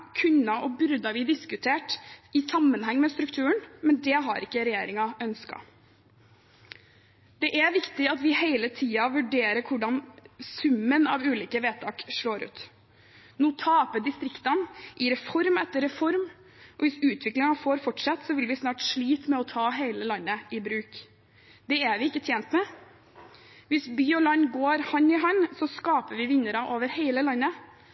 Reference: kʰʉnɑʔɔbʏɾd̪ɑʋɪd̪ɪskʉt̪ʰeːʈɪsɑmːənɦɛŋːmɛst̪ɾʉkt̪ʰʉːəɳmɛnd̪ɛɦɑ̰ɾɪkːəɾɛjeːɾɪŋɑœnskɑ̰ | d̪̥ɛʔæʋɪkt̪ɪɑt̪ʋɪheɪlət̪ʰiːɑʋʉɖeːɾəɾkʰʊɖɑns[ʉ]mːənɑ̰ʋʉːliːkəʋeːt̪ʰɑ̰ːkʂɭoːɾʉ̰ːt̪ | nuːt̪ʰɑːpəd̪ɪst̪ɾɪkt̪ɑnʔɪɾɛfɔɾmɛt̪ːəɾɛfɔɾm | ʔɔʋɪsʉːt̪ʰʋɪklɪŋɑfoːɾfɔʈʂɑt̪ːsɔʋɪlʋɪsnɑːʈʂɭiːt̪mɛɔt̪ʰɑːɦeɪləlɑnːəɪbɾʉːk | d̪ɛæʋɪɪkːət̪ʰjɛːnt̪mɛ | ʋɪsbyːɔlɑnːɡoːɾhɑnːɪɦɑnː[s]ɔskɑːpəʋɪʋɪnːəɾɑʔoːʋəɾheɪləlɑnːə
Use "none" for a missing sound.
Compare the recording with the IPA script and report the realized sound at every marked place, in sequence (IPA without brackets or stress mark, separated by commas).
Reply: ʉ, s